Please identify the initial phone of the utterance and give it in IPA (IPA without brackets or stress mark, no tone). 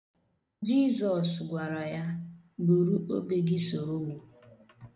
d͡ʒ